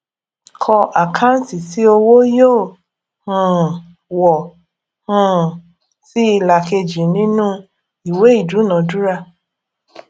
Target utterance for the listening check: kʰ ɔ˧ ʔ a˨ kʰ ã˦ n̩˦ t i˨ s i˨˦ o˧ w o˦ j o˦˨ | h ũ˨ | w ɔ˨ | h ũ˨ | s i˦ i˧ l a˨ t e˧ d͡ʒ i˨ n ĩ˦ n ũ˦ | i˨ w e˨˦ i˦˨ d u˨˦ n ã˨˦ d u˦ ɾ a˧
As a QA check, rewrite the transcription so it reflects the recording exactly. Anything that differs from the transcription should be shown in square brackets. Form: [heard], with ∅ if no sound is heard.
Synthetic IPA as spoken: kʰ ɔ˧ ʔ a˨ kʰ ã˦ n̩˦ t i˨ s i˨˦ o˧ w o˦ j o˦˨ | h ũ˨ | w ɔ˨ | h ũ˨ | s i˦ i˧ l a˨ [k] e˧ d͡ʒ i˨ n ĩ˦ n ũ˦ | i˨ w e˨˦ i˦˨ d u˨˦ n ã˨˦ d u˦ ɾ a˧